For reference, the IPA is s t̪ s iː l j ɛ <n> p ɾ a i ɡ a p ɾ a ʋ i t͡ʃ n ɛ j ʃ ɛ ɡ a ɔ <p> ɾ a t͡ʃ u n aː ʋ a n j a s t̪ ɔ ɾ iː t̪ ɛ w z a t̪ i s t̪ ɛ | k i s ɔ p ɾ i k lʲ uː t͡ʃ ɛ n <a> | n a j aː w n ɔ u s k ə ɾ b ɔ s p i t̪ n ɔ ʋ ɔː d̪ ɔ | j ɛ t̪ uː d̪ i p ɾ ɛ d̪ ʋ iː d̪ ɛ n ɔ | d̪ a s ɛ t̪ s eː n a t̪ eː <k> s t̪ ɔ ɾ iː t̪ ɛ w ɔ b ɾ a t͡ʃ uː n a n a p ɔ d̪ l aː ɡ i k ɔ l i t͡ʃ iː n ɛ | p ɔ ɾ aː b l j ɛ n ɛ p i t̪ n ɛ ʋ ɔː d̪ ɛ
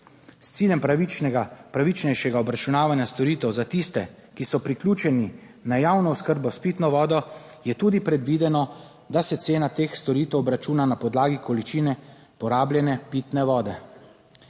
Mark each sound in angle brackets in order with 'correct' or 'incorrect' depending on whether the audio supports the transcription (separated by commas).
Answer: incorrect, incorrect, incorrect, incorrect